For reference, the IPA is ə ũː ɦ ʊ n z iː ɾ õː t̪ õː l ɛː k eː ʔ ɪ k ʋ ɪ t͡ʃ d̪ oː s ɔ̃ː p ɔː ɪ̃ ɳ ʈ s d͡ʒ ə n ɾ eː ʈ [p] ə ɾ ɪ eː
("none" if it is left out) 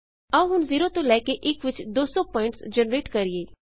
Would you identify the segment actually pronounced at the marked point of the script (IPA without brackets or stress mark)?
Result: k